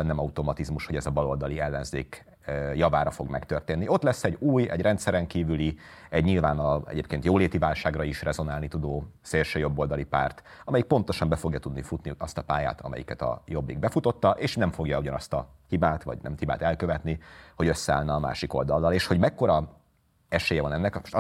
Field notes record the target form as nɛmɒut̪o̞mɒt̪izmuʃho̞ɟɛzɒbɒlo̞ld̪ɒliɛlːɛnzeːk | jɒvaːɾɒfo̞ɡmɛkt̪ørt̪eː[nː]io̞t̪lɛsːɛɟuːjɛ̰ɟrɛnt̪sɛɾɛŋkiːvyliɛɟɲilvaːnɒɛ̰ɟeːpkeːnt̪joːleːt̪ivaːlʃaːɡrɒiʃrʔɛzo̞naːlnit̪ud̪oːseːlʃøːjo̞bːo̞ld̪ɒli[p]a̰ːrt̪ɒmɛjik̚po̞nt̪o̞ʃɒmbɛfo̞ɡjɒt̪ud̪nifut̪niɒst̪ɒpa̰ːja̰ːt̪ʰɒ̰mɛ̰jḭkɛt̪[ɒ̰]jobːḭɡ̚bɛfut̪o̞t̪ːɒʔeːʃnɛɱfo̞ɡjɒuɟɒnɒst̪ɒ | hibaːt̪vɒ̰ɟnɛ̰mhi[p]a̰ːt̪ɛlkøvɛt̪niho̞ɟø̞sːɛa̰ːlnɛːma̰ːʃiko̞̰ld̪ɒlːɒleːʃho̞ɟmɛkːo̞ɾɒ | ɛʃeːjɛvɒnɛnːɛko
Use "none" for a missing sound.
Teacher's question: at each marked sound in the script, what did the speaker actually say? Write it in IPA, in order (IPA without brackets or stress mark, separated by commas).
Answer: nː, p, ɒ̰, b